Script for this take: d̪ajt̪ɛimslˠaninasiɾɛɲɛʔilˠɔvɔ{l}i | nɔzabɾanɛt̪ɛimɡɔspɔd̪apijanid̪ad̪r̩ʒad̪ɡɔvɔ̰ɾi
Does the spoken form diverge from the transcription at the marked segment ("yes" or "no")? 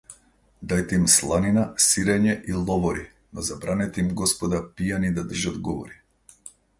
yes